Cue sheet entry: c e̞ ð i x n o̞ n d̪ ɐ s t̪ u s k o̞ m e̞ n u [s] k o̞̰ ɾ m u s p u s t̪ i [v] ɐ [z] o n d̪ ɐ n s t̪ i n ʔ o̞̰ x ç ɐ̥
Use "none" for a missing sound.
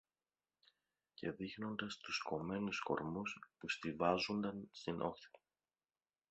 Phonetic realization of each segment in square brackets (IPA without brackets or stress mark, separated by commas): s, v, z